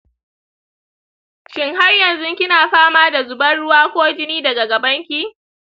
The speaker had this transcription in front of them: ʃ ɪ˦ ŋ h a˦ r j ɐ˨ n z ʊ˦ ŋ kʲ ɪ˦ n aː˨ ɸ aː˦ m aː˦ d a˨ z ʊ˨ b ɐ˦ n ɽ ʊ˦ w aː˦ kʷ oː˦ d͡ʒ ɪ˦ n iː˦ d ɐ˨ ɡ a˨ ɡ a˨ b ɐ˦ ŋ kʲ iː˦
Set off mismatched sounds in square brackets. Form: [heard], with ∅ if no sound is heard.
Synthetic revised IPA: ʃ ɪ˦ ŋ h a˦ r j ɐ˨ n z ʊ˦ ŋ kʲ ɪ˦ n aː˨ ɸ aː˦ m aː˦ d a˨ z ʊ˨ b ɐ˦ n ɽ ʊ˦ w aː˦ kʷ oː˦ d͡ʒ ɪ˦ n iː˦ d ɐ˨ ɡ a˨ ɡ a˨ b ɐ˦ ŋ kʲ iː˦